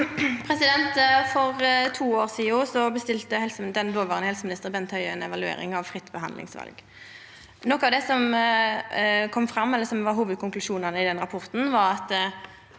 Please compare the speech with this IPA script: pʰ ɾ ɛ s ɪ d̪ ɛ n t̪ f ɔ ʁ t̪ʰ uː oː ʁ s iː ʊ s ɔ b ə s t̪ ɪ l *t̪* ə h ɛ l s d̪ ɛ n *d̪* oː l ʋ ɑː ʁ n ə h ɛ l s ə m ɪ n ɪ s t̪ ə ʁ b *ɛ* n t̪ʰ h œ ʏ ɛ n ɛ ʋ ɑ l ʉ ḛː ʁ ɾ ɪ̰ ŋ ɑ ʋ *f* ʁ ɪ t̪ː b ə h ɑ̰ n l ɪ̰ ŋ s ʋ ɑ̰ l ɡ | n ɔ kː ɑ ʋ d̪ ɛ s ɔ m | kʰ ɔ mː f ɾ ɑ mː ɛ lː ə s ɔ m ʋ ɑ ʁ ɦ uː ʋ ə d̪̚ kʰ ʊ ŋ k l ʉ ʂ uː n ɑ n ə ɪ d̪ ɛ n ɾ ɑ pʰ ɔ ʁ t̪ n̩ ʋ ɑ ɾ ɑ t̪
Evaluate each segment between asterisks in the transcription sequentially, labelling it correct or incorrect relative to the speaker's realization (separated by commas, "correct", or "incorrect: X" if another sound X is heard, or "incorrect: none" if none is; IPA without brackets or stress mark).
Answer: correct, correct, correct, correct